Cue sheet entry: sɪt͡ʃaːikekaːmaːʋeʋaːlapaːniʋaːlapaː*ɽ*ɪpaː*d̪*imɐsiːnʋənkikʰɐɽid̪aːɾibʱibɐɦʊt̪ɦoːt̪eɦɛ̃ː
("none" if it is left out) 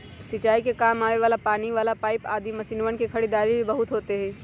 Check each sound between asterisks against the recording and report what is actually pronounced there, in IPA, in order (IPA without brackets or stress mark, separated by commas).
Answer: none, d̪